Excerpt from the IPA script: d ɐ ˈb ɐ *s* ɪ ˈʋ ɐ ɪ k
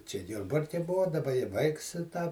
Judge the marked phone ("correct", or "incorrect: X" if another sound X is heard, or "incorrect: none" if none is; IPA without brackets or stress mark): incorrect: none